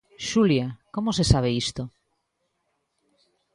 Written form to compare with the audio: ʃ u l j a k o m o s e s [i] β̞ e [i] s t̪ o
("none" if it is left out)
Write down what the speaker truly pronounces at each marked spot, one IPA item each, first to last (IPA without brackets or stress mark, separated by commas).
a, i